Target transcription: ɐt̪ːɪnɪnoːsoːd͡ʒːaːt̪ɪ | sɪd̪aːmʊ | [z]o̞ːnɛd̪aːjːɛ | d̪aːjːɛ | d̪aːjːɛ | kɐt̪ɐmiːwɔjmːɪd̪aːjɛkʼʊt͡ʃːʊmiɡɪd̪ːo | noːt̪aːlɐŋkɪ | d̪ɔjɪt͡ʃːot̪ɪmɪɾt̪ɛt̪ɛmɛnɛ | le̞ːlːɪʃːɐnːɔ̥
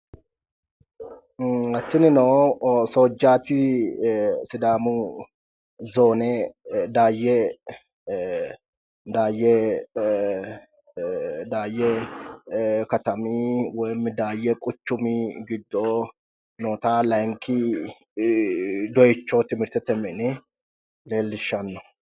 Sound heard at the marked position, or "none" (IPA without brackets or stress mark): z